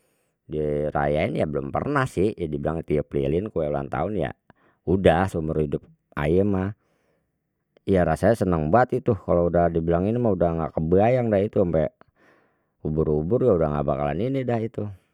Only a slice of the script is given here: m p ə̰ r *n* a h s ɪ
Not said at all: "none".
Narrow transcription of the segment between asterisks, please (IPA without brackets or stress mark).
n